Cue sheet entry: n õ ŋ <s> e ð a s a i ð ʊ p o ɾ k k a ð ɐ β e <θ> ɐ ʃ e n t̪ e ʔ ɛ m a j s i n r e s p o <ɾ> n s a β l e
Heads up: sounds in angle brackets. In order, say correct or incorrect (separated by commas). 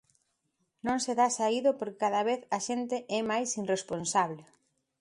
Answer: correct, correct, incorrect